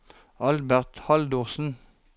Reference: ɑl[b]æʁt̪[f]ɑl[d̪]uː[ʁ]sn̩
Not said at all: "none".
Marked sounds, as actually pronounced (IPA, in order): b, h, d̪, ʁ

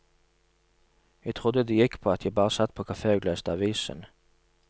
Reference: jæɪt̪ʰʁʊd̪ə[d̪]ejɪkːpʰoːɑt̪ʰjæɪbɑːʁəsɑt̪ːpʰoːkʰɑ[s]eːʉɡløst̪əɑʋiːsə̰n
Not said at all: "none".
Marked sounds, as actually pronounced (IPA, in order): d̪, f

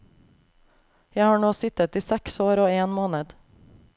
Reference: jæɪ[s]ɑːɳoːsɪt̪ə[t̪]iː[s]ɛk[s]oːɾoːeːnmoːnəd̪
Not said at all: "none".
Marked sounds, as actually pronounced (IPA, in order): h, t̪, s, s

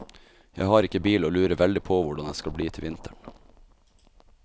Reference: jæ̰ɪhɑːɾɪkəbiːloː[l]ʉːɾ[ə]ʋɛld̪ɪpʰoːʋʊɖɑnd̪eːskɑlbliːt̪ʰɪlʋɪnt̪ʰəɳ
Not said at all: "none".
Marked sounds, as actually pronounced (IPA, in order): l, ə

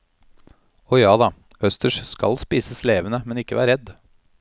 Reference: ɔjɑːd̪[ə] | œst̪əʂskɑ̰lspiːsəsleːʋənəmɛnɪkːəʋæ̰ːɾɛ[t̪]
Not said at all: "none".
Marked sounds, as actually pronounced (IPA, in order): ɑ, d̪

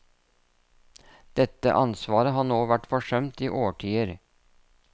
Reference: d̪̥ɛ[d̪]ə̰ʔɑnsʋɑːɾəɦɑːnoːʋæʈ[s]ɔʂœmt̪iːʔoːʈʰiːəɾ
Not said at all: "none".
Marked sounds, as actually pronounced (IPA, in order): t̪, f

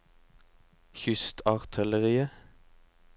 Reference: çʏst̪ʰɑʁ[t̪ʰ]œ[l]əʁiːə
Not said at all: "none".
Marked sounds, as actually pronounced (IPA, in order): t̪ʰ, l

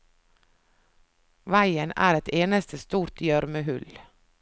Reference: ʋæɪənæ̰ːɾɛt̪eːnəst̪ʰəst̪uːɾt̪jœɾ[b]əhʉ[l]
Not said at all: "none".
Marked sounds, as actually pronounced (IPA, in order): m, l

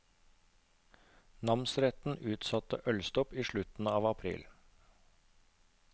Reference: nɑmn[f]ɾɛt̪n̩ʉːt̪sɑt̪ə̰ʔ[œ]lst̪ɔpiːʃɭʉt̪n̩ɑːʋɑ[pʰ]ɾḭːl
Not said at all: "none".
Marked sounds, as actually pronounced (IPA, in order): s, œ, pʰ

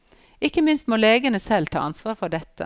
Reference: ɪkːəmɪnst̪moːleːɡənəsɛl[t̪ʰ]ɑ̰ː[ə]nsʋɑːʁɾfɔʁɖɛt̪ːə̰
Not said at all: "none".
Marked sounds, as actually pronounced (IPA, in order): t̪ʰ, ɑ

